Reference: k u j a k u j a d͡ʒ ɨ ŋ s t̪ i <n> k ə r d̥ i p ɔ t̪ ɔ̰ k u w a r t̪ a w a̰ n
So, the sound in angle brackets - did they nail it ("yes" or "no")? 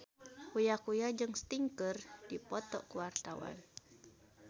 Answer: no